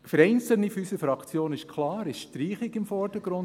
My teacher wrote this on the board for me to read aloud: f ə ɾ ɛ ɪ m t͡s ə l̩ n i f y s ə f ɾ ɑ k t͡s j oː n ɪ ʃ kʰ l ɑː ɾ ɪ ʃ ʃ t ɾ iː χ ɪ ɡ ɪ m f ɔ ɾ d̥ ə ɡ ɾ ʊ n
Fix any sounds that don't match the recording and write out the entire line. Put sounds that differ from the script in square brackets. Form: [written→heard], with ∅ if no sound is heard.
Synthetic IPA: f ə ɾ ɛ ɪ [m→n] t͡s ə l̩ n i f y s ə f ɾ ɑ k t͡s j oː n ɪ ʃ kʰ l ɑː ɾ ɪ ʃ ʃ t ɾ iː χ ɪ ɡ ɪ m f ɔ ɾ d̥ ə ɡ ɾ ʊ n